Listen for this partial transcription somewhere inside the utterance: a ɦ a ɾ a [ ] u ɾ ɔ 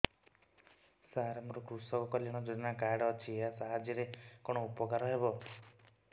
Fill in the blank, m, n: m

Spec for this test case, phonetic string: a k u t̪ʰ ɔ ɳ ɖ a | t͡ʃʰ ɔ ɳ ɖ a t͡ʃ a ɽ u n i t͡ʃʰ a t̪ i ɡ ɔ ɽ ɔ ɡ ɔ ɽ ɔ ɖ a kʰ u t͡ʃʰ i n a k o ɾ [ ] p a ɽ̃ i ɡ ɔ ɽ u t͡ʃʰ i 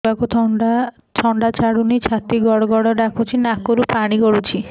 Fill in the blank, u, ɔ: u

